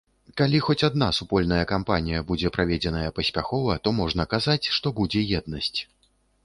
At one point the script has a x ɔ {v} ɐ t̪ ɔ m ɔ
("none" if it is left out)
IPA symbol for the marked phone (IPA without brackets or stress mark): v